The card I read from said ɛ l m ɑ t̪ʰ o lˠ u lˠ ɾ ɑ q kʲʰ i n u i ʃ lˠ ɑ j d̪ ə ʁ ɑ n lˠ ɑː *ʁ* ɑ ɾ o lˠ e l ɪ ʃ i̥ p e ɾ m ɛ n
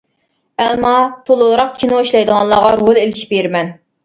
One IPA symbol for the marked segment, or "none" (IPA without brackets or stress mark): ʁ